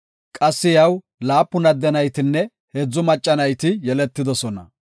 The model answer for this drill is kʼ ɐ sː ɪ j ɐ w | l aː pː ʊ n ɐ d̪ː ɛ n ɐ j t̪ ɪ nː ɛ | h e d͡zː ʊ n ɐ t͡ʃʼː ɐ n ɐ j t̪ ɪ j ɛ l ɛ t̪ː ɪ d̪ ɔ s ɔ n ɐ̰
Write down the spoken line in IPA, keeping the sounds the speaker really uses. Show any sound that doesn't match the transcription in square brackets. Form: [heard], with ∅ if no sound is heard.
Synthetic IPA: kʼ ɐ sː ɪ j ɐ w | l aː pː ʊ n ɐ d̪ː ɛ n ɐ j t̪ ɪ nː ɛ | h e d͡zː ʊ [m] ɐ t͡ʃʼː ɐ n ɐ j t̪ ɪ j ɛ l ɛ t̪ː ɪ d̪ ɔ s ɔ n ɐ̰